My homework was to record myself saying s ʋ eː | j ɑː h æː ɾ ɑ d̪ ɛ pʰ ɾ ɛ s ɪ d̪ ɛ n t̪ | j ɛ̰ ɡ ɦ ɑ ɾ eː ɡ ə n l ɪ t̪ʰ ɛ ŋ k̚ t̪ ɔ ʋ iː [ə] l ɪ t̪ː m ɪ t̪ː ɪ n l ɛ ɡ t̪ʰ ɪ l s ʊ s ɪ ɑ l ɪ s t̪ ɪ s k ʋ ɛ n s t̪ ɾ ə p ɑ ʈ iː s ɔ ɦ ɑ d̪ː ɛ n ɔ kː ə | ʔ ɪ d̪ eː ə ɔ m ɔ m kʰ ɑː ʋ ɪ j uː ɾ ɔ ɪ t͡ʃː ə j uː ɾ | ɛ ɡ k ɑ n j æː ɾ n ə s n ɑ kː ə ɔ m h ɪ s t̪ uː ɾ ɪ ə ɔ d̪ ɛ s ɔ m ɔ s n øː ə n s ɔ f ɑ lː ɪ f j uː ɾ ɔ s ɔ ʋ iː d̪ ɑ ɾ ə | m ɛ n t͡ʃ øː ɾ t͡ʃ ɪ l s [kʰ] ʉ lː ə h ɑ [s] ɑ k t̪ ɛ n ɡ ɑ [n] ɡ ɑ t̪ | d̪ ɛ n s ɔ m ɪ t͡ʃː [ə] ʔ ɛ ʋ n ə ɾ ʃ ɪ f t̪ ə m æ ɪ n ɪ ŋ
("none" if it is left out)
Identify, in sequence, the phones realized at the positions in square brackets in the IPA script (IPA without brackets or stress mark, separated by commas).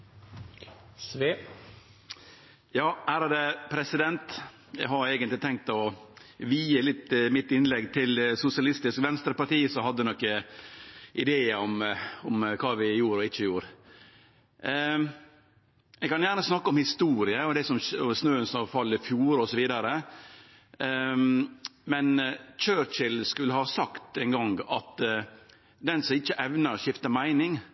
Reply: ə, k, s, ŋ, ə